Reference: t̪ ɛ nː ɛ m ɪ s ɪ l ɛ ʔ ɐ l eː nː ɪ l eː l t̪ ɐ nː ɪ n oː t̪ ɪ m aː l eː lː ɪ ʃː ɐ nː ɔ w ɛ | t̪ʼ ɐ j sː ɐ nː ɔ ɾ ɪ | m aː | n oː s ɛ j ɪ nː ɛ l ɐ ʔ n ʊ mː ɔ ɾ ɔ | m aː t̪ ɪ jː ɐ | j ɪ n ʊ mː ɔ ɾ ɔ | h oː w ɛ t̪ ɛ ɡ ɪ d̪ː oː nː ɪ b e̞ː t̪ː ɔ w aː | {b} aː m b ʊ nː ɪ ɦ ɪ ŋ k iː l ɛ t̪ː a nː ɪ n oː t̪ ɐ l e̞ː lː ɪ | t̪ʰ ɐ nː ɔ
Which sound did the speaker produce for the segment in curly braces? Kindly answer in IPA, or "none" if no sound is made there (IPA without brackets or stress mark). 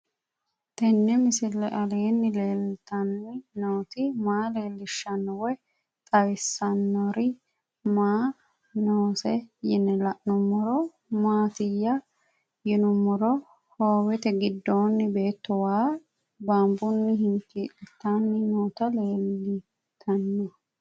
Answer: b